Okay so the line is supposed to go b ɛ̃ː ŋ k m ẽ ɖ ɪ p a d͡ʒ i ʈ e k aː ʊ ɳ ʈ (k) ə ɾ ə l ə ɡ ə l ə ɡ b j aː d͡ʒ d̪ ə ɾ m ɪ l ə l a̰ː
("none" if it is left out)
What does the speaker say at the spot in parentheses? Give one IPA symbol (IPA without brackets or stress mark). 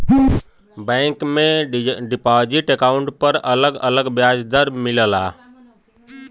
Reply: p